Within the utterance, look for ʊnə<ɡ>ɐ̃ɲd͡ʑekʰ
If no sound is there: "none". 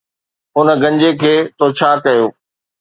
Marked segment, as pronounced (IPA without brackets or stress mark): ɡ